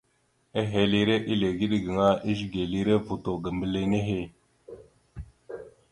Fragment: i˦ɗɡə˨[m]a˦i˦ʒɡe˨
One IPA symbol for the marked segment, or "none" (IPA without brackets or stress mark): ŋ